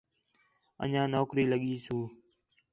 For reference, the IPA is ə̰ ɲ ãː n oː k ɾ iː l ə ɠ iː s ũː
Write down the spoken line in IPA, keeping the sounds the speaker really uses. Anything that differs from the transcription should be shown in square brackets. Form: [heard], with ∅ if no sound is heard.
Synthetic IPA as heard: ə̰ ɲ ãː n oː k ɾ iː l ə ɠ iː s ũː